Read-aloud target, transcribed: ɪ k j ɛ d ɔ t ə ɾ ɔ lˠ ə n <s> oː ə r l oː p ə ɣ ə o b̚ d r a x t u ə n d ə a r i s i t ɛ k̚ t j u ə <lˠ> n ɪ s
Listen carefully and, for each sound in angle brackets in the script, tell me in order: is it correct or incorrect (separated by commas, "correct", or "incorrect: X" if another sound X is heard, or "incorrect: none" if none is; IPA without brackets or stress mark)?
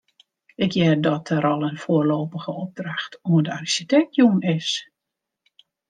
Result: incorrect: f, incorrect: none